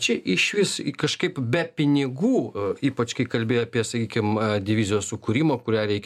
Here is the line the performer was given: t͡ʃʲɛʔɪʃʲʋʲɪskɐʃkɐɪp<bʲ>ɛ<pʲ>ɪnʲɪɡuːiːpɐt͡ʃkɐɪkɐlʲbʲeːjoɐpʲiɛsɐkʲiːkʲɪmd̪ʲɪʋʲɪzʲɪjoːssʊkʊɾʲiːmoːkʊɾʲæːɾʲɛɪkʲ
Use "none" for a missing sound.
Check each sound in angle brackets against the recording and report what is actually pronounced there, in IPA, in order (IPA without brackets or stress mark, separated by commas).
bʲ, pʲ